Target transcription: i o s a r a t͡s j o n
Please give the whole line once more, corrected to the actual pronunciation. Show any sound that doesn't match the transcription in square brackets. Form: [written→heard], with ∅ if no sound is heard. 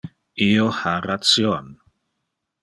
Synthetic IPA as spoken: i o [s→h] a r a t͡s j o n